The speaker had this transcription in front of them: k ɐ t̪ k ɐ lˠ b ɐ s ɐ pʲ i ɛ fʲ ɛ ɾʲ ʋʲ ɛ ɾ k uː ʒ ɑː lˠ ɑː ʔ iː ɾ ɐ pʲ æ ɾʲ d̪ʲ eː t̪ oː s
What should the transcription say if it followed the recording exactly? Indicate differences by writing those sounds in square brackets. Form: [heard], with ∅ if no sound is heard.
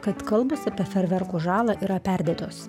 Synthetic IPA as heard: k ɐ t̪ k ɐ lˠ b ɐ s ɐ pʲ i ɛ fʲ ɛ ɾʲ ʋʲ ɛ ɾ k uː ʒ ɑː lˠ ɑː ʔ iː ɾ ɐ pʲ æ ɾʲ d̪ʲ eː t̪ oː s